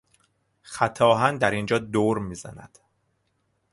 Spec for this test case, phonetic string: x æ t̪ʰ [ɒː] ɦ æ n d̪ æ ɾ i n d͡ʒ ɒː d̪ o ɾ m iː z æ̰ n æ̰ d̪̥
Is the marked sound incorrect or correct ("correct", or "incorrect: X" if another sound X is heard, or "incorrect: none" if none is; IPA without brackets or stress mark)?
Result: correct